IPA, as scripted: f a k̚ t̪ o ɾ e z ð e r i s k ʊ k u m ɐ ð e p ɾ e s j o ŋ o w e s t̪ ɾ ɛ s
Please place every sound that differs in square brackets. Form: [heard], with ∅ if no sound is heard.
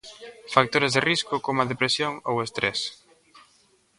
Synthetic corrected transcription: f a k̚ t̪ o ɾ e z ð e r i s k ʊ k [o] m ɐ ð e p ɾ e s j o ŋ o w e s t̪ ɾ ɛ s